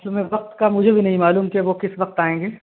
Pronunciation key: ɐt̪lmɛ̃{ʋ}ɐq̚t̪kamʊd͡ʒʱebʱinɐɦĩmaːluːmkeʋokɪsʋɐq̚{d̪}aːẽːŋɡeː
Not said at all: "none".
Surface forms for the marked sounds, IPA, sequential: ʋ, t̪

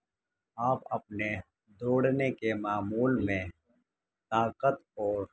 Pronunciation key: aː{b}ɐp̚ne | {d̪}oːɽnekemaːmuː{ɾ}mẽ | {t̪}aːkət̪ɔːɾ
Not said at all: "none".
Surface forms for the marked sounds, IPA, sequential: p, d̪, l, t̪

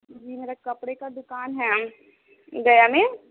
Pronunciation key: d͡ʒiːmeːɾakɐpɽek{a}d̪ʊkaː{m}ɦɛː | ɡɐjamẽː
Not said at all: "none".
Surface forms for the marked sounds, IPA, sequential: a, n

